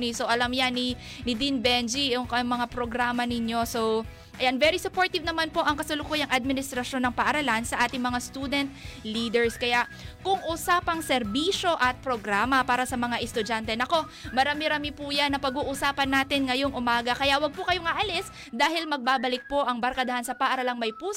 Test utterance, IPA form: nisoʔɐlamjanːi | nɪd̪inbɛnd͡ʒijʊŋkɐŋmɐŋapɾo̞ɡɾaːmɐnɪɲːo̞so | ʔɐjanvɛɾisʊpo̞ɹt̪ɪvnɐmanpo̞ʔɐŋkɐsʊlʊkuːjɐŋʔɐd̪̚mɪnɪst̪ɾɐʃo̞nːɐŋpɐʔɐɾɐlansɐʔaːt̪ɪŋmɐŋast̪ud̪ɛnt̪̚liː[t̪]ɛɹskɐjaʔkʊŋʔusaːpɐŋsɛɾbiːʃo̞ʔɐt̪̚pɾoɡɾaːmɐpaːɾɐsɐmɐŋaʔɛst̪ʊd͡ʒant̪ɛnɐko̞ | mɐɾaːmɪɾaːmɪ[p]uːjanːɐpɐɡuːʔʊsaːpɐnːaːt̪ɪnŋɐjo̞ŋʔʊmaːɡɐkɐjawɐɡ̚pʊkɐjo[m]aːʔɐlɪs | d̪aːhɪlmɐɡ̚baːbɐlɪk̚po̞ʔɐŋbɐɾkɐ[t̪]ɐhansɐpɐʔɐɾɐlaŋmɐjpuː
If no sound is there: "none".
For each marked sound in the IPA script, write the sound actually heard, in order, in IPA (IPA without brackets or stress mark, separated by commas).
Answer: d̪, p, ŋ, d̪